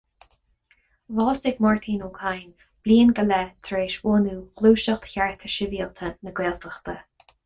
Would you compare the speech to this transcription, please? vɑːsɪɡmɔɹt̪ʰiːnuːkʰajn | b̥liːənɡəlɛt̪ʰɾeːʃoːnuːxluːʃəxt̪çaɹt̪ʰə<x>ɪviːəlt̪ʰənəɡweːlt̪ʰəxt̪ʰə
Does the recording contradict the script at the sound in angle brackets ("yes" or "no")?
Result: yes